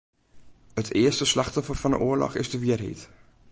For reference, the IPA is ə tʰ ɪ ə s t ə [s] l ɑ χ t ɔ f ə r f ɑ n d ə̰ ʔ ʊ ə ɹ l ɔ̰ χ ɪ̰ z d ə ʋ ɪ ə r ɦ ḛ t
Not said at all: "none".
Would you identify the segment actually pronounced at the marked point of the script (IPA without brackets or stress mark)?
s